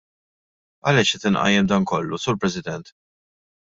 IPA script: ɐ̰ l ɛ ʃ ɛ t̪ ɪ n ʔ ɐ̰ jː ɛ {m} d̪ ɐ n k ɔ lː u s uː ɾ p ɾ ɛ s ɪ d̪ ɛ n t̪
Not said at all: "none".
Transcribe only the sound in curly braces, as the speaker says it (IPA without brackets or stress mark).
m